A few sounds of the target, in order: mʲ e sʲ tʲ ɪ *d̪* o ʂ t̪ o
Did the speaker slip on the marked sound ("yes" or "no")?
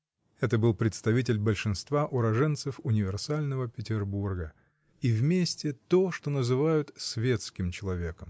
yes